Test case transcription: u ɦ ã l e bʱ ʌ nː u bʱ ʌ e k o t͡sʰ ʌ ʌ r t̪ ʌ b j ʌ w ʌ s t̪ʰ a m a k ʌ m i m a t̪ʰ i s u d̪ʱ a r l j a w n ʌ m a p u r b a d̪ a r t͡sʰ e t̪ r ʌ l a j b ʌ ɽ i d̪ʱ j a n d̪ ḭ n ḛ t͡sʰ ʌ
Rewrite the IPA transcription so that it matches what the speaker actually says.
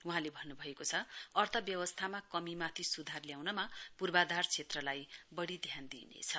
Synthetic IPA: u ɦ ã l e bʱ ʌ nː u bʱ ʌ e k o t͡sʰ ʌ ʌ r t̪ʰ ʌ b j ʌ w ʌ s t̪ʰ a m a k ʌ m i m a t̪ʰ i s u d̪ʱ a r l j a w n ʌ m a p u r b a d̪ a r t͡sʰ e t̪ r ʌ l a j b ʌ ɽ i d̪ʱ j a n d̪ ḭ n ḛ t͡sʰ ʌ